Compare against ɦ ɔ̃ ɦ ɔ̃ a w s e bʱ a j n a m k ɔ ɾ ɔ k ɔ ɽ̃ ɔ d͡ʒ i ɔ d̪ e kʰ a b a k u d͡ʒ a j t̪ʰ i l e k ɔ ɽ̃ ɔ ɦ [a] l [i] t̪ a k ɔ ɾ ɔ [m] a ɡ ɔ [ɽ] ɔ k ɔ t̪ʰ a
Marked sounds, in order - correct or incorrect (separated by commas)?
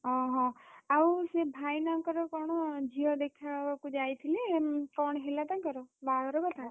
incorrect, incorrect, incorrect, incorrect